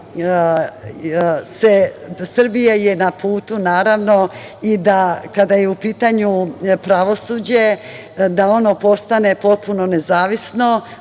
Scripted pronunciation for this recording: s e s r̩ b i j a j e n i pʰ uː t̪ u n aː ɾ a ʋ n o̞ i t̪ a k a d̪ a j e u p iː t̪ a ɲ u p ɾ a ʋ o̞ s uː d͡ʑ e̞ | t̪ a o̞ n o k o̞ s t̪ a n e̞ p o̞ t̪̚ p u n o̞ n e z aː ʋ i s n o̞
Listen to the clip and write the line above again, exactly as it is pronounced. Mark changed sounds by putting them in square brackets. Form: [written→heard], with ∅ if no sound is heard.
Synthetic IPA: s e s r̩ b i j a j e n [i→a] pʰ uː t̪ u n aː ɾ a ʋ n o̞ i [t̪→d̪] a k a d̪ a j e u p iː t̪ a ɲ u p ɾ a ʋ o̞ s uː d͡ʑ e̞ | [t̪→d̪] a o̞ n o [k→p] o̞ s t̪ a n e̞ p o̞ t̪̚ p u n o̞ n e z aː ʋ i s n o̞